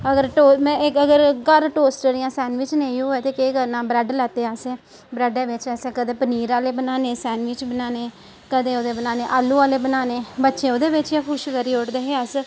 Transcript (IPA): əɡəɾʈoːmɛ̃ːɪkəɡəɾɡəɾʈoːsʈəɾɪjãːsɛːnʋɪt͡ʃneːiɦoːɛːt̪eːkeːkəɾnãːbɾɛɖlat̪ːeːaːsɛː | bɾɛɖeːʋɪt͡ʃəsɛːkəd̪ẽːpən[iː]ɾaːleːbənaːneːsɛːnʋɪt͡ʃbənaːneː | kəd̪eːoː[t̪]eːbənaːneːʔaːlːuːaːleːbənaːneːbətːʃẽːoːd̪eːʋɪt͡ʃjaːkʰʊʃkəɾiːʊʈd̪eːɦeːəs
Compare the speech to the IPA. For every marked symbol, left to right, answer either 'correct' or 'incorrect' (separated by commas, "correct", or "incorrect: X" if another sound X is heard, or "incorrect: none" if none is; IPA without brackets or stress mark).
correct, incorrect: d̪